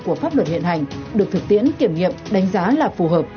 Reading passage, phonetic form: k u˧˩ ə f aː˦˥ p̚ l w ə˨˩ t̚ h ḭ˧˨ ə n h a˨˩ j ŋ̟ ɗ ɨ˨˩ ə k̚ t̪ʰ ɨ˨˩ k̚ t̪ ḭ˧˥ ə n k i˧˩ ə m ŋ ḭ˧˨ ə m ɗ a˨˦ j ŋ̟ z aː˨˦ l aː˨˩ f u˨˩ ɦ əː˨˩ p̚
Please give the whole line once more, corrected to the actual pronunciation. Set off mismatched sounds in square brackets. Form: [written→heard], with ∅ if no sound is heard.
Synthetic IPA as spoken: k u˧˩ ə f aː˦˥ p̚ l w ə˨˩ t̚ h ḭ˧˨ ə n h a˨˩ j ŋ̟ ɗ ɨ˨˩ ə k̚ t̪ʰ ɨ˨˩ k̚ t̪ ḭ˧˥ ə n k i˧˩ ə m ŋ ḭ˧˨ ə m ɗ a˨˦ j ŋ̟ z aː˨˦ l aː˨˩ f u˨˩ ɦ əː˨˩ p̚